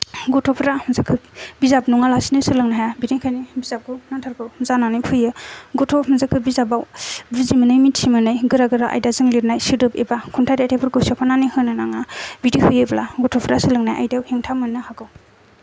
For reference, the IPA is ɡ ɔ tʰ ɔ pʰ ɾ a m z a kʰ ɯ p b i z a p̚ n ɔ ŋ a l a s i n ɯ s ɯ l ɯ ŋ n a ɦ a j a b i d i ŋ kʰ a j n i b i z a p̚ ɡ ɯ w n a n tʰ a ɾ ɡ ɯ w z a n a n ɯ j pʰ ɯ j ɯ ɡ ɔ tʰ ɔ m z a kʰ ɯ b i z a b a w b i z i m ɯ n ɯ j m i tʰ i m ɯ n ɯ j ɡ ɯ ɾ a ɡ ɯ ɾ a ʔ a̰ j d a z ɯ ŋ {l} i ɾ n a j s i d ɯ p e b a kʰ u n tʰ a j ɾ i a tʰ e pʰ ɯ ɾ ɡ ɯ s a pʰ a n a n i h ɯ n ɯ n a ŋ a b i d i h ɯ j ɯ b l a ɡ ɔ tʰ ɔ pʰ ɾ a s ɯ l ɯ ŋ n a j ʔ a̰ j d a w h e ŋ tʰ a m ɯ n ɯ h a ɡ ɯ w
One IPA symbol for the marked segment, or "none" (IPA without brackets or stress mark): l